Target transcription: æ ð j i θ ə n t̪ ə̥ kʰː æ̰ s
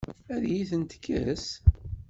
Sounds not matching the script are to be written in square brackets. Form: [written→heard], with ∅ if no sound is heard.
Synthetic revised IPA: æ ð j i θ ə n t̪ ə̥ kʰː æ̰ s